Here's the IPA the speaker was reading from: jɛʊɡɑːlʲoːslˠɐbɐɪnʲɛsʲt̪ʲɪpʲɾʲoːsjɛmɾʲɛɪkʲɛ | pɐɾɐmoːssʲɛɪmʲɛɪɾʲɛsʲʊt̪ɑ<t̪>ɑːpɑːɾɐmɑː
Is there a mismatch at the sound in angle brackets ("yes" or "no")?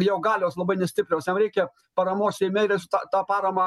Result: no